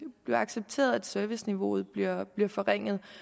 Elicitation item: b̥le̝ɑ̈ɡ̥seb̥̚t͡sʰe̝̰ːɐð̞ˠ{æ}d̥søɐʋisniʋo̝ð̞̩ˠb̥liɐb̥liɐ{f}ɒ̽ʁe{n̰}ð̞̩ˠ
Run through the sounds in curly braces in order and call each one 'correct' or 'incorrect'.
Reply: correct, correct, incorrect: ŋ̰

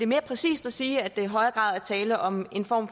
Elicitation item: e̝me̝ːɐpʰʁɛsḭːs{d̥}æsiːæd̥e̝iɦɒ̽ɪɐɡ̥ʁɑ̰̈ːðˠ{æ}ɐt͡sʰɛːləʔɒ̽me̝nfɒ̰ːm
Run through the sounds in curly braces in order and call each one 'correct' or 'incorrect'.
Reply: correct, correct

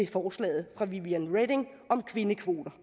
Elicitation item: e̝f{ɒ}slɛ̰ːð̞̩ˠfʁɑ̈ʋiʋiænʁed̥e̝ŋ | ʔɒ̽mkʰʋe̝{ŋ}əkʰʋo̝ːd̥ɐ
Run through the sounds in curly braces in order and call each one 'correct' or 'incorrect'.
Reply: incorrect: ɒː, incorrect: n

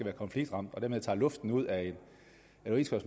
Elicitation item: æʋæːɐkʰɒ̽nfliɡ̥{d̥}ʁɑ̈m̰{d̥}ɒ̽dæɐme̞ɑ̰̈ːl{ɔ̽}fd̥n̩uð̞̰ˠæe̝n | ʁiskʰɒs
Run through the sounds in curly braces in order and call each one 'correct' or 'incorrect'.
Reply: correct, correct, correct

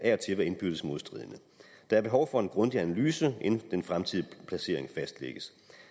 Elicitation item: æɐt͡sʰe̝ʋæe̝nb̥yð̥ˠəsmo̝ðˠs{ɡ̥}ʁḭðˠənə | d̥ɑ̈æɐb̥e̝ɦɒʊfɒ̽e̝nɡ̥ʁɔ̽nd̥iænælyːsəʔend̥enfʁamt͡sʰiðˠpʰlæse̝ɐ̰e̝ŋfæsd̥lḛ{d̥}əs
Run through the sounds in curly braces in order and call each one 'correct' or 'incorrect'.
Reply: incorrect: d̥, incorrect: ɡ̥

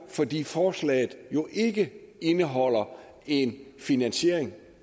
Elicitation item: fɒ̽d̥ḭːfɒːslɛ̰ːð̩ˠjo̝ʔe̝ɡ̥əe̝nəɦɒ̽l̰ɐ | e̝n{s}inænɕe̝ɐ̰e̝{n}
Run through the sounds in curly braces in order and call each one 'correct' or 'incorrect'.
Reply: incorrect: f, incorrect: ŋ

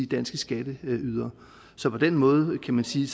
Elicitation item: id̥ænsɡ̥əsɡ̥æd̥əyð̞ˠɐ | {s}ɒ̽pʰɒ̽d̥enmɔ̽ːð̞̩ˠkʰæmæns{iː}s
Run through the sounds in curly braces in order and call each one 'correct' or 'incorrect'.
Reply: correct, correct

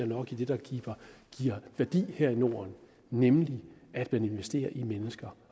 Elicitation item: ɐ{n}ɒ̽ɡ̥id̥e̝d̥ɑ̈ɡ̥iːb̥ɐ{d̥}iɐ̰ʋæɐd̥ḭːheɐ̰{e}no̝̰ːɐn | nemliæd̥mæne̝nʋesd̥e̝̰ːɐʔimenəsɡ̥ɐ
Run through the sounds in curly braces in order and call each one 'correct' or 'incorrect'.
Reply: correct, incorrect: ɡ̥, incorrect: i

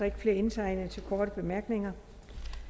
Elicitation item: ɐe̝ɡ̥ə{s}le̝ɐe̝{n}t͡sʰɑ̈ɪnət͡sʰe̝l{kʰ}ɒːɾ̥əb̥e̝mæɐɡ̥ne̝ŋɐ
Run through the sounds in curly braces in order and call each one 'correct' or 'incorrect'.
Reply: incorrect: f, correct, correct

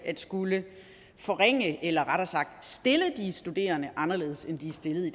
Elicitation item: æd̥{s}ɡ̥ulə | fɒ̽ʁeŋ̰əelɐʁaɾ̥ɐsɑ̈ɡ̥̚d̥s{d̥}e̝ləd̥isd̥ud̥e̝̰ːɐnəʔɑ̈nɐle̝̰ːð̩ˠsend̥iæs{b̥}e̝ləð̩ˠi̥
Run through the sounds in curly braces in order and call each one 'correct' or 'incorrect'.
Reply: correct, correct, incorrect: d̥

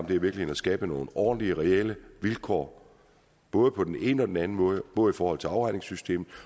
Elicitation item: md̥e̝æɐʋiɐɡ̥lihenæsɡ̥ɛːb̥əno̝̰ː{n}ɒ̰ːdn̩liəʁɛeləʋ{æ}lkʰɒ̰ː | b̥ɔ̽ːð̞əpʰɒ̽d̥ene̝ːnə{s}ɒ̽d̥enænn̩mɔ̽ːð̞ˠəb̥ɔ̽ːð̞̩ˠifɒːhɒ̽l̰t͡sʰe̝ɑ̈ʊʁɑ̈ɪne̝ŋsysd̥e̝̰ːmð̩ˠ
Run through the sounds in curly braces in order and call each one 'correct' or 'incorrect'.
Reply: correct, incorrect: i, incorrect: none

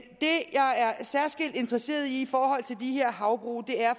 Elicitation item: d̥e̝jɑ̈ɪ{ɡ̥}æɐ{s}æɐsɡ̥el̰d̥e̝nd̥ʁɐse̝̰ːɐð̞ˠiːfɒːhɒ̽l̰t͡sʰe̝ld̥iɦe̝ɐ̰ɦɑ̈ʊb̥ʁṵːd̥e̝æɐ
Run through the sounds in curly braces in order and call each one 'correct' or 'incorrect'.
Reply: incorrect: none, correct

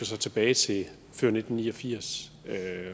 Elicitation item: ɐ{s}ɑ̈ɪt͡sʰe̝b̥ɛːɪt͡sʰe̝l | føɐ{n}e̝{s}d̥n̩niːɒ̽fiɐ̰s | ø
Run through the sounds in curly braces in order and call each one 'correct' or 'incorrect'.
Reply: correct, correct, incorrect: none

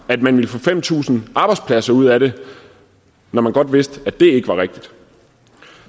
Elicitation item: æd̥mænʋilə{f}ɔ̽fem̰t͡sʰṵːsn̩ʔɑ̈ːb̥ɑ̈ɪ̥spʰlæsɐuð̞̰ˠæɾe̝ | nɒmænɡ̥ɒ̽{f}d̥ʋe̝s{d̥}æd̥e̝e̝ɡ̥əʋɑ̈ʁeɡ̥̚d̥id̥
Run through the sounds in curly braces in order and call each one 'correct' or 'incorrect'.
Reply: correct, incorrect: none, correct

